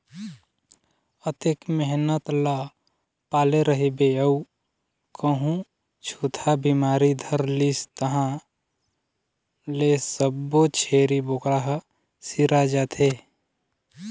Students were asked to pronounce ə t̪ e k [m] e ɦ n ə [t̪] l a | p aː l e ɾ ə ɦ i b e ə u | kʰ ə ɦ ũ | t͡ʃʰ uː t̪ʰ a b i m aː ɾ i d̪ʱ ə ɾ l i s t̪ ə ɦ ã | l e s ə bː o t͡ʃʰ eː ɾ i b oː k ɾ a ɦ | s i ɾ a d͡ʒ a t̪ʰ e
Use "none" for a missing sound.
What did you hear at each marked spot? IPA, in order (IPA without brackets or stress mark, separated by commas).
m, t̪